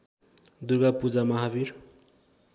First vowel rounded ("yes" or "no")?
yes